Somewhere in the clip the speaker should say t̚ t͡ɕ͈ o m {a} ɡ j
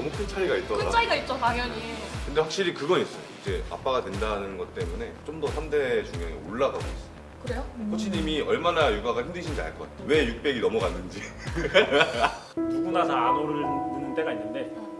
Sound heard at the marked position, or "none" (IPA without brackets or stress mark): a